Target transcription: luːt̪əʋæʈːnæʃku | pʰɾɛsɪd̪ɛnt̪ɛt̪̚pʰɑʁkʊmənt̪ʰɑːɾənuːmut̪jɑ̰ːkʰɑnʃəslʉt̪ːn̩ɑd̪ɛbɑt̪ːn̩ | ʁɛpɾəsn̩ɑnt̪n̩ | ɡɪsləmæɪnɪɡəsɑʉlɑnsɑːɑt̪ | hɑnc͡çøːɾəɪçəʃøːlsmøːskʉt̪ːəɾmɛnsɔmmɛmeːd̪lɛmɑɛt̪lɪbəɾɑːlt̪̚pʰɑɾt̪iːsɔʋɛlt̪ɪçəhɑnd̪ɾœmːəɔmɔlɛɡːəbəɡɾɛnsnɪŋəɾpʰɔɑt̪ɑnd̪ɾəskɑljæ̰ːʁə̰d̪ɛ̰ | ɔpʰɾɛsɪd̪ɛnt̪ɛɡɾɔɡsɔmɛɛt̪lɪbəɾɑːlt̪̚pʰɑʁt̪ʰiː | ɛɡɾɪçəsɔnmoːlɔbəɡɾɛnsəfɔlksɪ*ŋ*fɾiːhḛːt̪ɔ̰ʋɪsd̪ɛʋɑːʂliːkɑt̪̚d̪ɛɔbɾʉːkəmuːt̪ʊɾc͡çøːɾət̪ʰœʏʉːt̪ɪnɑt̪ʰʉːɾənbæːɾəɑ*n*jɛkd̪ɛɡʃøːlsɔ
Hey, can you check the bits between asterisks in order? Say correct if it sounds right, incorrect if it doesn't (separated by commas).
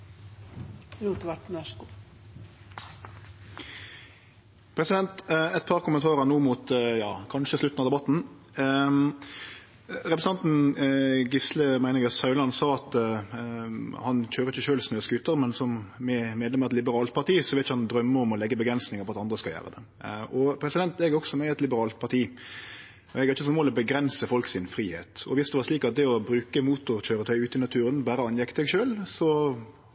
incorrect, correct